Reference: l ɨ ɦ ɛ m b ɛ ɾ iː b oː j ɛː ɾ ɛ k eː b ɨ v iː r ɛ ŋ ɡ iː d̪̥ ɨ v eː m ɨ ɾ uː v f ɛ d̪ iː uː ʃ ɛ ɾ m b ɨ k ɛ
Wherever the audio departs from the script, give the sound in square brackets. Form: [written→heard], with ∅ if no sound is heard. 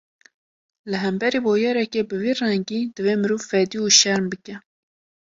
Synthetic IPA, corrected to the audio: l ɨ ɦ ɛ m b ɛ ɾ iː b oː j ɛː ɾ ɛ k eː b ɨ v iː r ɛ ŋ ɡ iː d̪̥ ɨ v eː m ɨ ɾ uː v f ɛ d̪ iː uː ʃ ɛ ɾ m b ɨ k ɛ